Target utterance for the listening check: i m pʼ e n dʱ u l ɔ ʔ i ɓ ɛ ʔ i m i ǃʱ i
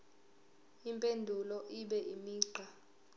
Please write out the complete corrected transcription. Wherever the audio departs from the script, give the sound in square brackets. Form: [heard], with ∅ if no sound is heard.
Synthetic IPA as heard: i m pʼ e n dʱ u l ɔ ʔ i ɓ ɛ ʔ i m [iː] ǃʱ [a]